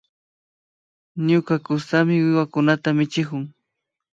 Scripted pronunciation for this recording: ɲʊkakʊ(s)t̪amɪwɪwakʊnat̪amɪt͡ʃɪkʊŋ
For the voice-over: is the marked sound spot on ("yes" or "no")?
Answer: yes